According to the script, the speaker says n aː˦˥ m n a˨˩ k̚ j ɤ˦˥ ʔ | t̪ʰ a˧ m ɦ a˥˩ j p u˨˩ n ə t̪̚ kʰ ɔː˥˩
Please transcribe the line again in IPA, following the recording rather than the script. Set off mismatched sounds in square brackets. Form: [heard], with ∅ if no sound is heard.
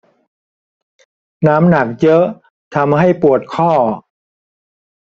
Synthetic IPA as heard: n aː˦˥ m n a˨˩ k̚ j ɤ˦˥ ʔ | t̪ʰ a˧ m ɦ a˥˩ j p u˨˩ [∅] ə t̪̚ kʰ ɔː˥˩